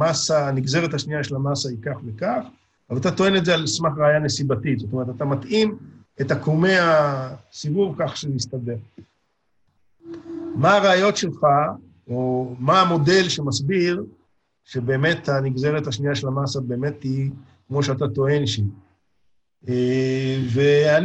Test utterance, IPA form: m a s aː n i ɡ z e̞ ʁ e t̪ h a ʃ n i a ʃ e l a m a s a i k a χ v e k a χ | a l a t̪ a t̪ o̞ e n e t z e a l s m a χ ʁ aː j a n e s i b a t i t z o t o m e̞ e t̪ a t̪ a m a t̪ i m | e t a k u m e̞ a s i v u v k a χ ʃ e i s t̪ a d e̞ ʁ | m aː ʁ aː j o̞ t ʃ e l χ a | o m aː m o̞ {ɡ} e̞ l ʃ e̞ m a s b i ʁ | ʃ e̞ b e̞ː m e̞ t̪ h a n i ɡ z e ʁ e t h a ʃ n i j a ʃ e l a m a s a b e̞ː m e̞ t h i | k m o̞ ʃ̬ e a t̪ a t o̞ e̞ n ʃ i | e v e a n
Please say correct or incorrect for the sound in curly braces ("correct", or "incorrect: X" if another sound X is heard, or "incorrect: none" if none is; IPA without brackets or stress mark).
incorrect: d